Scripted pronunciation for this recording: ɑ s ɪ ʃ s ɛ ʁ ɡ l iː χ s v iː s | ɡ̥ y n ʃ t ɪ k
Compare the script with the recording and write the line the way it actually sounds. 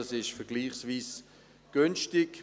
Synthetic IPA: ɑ s ɪ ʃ f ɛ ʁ ɡ l iː χ s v iː s | ɡ̥ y n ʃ t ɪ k